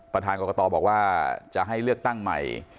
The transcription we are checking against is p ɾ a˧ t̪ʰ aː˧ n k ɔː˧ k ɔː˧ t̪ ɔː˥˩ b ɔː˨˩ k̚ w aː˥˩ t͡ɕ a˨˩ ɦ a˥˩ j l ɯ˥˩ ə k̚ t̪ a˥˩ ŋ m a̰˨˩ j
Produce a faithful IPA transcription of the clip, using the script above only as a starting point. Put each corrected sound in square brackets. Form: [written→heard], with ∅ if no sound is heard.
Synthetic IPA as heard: p ɾ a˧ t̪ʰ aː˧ n k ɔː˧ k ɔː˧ t̪ [ɔː˥˩→ɔː˧] b ɔː˨˩ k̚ w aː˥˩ t͡ɕ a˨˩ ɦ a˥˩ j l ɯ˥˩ ə k̚ t̪ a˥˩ ŋ m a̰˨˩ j